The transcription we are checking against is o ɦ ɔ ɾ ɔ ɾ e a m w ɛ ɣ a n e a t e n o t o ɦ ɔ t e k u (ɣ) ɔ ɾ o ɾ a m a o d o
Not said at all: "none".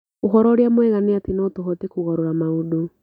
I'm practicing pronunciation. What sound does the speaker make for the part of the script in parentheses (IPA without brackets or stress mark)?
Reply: ɣ